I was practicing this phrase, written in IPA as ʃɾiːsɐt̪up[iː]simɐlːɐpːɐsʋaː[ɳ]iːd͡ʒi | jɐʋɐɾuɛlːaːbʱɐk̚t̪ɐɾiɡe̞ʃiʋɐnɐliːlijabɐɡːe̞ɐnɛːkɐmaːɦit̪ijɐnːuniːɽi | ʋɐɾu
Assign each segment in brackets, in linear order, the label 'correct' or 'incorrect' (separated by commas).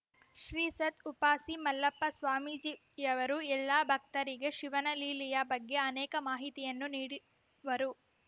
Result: incorrect, incorrect